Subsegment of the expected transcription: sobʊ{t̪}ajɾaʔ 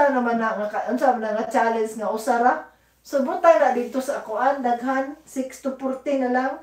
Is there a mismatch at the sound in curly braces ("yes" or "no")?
no